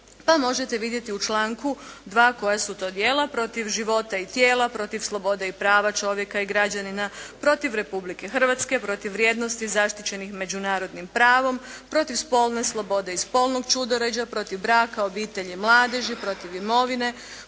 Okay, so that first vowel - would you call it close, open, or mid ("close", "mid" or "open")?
open